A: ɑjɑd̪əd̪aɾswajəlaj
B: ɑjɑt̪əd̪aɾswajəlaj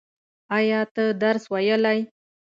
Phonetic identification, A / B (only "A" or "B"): B